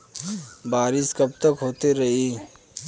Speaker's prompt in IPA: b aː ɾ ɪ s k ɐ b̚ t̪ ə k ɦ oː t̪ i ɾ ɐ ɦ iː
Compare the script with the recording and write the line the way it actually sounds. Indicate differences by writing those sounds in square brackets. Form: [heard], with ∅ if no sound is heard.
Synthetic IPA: b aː ɾ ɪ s k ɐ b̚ t̪ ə k ɦ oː t̪ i ɾ ɐ ɦ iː